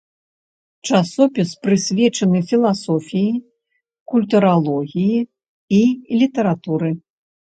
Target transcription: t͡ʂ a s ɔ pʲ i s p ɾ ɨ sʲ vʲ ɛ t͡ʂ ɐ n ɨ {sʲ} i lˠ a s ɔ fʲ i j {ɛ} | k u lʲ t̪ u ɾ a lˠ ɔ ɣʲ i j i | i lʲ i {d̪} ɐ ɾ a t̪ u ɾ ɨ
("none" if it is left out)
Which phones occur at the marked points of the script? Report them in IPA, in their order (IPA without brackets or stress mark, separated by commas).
fʲ, i, t̪